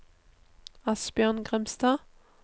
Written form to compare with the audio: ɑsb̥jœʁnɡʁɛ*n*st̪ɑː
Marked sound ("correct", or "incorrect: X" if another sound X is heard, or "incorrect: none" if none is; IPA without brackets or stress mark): incorrect: m